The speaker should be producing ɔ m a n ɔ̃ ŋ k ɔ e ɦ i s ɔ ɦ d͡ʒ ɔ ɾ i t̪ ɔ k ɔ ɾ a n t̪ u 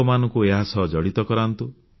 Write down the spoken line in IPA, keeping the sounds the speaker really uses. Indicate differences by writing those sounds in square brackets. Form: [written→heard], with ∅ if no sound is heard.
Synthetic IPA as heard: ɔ m a n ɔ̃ ŋ k [ɔ→u] e ɦ [i→a] s ɔ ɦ d͡ʒ ɔ [ɾ→ɽ] i t̪ ɔ k ɔ ɾ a n t̪ u